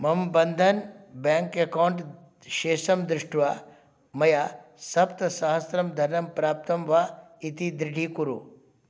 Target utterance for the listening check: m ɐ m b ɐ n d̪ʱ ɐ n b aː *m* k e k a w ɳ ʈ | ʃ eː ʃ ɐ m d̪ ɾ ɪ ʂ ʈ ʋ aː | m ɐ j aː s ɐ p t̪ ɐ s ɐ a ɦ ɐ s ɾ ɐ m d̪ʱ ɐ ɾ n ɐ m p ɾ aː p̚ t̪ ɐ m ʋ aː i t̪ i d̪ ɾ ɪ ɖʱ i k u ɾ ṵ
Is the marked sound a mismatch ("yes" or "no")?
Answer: yes